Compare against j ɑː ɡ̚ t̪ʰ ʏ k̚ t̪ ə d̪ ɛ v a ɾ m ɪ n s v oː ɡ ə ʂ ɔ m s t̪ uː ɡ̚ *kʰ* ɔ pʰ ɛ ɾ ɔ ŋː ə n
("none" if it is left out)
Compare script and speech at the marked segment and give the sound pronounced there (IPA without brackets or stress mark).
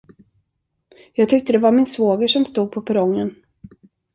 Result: pʰ